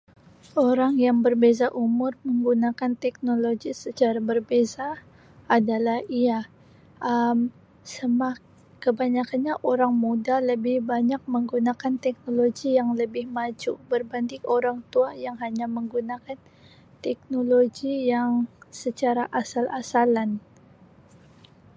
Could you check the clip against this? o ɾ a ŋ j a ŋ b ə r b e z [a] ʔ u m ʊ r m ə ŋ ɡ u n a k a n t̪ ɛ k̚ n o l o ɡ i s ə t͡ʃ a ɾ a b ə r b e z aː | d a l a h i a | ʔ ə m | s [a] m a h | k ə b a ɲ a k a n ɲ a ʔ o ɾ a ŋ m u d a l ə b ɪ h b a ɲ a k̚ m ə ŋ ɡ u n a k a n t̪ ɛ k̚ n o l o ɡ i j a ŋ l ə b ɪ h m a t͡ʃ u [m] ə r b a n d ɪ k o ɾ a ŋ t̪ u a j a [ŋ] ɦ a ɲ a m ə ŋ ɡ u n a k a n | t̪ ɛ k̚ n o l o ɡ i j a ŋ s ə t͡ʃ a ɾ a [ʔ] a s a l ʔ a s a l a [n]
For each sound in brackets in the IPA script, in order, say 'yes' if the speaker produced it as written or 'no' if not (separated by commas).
yes, no, no, yes, yes, yes